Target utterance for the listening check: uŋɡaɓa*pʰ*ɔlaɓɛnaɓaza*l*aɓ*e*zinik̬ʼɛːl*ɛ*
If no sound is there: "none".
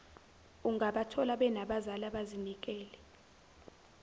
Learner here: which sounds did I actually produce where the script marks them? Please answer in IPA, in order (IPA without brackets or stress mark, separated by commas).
tʰ, l, a, ɛ